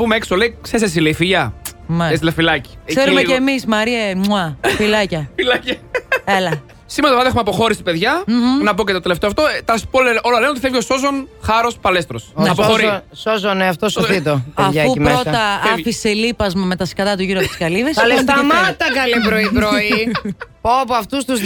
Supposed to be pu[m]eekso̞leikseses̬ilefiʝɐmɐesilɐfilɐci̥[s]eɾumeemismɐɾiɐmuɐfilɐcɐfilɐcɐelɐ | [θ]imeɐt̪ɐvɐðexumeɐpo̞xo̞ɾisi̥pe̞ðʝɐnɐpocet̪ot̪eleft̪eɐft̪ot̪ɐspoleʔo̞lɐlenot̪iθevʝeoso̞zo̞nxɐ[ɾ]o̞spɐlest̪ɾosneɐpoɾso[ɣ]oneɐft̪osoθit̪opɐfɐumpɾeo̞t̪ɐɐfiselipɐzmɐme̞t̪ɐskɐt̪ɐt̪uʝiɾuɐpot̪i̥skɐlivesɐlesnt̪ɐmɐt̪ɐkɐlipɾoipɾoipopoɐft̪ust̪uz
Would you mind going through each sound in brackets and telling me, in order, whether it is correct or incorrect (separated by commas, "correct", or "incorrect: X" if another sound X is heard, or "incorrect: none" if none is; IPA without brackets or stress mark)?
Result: correct, correct, incorrect: s, correct, incorrect: z